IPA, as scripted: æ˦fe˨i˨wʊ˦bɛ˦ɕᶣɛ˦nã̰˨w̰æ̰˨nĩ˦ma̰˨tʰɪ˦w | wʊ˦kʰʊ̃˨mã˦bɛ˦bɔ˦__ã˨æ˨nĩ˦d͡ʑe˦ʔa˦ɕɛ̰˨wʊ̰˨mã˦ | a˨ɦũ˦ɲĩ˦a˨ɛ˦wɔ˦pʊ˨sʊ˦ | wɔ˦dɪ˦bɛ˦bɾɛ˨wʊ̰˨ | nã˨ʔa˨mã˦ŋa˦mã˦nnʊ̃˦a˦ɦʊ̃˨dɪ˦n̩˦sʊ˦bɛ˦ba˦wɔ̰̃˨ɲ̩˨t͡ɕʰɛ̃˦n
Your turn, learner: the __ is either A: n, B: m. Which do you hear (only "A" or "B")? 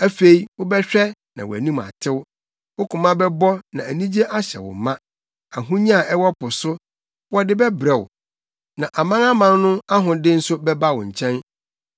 A